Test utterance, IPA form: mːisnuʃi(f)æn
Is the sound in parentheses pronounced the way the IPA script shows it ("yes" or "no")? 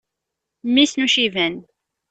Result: no